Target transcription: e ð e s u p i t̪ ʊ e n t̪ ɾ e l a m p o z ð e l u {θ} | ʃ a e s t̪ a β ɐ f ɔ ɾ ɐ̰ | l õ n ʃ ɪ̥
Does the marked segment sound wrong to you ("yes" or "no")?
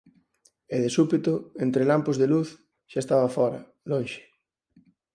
no